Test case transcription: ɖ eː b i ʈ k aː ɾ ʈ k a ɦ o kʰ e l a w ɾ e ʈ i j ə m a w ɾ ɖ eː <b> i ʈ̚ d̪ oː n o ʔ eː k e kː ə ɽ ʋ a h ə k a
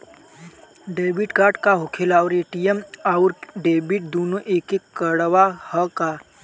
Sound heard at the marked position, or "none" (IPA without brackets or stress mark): b